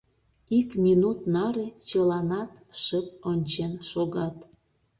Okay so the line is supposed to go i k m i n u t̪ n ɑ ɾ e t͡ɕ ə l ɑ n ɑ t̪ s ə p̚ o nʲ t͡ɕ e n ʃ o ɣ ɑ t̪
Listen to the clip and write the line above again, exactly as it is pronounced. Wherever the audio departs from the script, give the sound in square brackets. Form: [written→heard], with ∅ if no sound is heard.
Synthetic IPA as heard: i k m i n u t̪ n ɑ ɾ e t͡ɕ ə l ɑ n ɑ t̪ [s→ʃ] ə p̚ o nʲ t͡ɕ e n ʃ o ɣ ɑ t̪